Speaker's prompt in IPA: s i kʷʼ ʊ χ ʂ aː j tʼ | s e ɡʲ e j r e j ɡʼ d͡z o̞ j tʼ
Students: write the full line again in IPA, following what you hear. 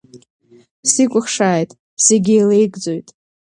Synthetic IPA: s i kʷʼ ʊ χ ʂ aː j tʼ | s e ɡʲ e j l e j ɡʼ d͡z o̞ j tʼ